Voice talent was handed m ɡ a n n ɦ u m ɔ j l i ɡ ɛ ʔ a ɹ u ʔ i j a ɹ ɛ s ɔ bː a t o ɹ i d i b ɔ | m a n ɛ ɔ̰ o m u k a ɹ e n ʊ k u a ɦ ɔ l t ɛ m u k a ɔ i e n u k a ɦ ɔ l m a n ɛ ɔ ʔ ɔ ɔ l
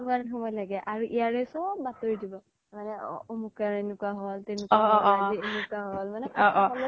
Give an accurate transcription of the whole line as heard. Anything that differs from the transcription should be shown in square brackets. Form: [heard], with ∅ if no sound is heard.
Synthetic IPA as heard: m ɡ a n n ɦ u m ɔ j l [a] ɡ ɛ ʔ a ɹ u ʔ i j a ɹ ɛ s ɔ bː a t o ɹ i d i b ɔ | m a n ɛ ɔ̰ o m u k a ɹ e n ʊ k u a ɦ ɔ l t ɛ [n] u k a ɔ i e n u k a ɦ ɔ l m a n ɛ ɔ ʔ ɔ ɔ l